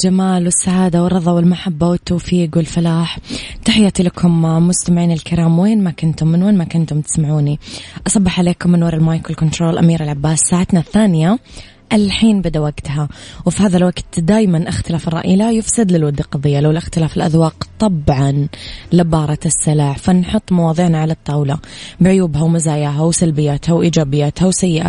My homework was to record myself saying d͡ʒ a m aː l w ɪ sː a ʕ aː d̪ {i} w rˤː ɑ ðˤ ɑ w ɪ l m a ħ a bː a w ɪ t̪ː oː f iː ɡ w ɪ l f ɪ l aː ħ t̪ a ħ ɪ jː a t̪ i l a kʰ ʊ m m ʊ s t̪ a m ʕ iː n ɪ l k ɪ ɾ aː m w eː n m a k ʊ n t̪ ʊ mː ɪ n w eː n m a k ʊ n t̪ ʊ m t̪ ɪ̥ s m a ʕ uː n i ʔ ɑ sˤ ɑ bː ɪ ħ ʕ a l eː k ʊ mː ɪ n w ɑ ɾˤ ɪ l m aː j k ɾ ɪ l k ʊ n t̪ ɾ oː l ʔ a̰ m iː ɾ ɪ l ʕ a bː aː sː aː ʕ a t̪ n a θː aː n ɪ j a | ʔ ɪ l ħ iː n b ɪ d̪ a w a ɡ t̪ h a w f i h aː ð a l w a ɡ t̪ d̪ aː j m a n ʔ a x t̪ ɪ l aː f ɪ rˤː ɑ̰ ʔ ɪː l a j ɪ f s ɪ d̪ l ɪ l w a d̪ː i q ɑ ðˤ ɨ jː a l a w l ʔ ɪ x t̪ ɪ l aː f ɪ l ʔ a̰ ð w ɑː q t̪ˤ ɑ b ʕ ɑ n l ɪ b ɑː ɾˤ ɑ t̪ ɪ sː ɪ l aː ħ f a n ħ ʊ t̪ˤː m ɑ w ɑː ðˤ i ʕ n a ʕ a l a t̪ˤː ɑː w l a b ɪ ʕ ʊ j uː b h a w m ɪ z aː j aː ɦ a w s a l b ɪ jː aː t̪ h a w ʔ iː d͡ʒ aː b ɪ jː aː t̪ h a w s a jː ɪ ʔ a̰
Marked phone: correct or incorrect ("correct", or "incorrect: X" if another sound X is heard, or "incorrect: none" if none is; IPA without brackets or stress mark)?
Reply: incorrect: a